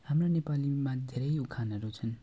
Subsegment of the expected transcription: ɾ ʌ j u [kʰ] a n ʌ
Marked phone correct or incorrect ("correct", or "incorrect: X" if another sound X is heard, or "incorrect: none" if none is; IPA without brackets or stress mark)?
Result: correct